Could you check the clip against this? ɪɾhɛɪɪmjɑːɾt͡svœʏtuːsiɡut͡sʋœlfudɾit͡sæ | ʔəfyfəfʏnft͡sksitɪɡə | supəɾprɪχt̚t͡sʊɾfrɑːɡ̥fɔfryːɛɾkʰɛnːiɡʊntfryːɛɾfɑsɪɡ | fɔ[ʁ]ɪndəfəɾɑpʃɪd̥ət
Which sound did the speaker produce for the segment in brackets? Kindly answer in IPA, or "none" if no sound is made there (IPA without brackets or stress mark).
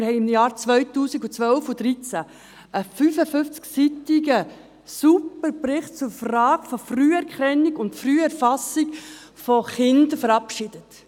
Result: χ